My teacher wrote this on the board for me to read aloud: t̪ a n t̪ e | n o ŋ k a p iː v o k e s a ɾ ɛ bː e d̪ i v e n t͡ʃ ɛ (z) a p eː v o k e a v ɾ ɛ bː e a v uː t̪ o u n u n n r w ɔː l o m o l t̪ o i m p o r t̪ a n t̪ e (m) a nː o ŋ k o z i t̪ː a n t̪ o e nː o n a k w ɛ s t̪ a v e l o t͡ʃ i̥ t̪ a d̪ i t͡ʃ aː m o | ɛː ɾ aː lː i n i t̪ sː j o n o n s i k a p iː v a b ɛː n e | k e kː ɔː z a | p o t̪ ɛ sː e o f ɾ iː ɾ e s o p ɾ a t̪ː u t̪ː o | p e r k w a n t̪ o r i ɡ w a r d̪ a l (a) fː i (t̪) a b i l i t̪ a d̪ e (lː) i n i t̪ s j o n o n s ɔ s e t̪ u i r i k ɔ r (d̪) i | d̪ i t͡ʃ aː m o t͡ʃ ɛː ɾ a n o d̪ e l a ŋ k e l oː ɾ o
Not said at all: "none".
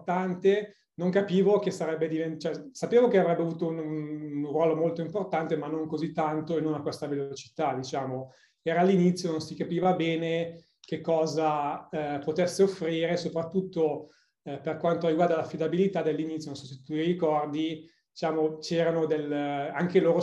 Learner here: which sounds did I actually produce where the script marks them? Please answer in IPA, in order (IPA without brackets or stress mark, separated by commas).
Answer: s, m, a, d̪, lː, d̪